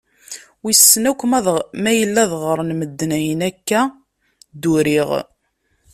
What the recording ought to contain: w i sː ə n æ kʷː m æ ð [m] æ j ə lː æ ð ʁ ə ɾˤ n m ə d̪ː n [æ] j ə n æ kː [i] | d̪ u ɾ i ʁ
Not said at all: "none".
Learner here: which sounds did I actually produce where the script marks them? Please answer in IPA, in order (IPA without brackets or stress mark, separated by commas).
m, æ, æ